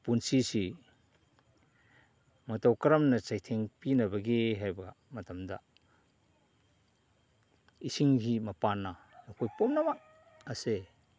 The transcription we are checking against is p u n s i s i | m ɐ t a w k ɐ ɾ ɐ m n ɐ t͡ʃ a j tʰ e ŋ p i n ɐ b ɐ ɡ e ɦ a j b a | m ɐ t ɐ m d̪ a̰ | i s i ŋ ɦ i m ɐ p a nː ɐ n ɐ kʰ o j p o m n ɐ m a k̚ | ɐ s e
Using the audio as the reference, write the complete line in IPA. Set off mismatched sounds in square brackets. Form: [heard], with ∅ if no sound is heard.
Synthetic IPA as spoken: p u n s i s i | m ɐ t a w k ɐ ɾ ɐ m n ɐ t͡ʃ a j tʰ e ŋ p i n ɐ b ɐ ɡ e ɦ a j b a | m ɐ t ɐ m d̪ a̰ | i s i ŋ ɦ i m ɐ p a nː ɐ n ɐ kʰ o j p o m n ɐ m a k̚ | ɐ s e